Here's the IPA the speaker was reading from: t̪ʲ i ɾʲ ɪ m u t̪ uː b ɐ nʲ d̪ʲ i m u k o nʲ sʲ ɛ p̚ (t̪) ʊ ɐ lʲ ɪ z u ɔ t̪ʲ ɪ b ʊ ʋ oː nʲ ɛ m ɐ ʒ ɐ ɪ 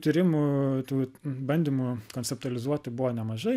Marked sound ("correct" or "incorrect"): correct